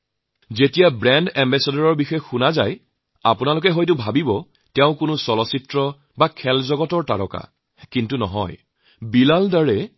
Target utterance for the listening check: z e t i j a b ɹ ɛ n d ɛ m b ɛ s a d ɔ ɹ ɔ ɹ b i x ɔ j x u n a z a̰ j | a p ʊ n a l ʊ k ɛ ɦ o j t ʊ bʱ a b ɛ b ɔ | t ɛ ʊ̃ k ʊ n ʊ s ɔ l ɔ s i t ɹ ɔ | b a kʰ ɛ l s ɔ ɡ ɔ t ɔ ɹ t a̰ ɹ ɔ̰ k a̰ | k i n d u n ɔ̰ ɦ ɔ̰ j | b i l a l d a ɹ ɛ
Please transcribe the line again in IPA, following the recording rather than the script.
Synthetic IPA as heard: z e t i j a b ɹ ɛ n d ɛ m b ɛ s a d ɔ ɹ ɔ ɹ b i x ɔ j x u n a z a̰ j | a p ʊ n a l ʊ k ɛ ɦ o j t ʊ bʱ a b i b ɔ | t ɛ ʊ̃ k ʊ n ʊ s ɔ l ɔ s i t ɹ ɔ | b a kʰ ɛ l z ɔ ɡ ɔ t ɔ ɹ t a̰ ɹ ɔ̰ k a̰ | k i n t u n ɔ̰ ɦ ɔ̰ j | b i l a l d a ɹ ɛ